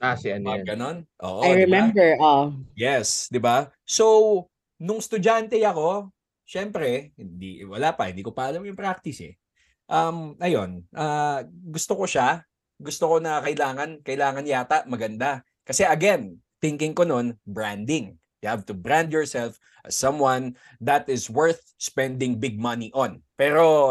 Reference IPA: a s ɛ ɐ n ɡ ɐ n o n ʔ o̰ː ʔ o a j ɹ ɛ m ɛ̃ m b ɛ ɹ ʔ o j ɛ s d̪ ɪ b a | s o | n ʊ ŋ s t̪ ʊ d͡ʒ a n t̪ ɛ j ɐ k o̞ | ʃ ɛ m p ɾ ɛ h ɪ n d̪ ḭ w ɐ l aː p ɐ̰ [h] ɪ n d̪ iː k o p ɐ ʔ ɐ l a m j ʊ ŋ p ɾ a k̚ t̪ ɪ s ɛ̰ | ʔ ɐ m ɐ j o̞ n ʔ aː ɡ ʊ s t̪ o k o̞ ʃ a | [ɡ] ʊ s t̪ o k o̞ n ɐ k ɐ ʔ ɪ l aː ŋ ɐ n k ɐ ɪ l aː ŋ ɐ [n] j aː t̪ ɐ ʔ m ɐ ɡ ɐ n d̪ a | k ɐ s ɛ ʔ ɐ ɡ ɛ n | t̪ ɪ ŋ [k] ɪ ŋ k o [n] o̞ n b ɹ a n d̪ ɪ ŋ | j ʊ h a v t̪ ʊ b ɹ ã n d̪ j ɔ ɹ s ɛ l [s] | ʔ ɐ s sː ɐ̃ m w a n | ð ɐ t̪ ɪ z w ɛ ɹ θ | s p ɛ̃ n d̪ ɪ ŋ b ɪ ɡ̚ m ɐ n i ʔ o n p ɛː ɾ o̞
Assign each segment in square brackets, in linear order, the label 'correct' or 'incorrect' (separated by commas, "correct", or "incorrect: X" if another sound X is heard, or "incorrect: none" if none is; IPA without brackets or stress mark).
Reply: correct, correct, correct, correct, correct, incorrect: f